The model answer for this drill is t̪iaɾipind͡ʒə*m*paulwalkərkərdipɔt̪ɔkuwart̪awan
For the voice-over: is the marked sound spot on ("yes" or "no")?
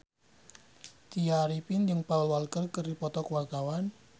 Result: no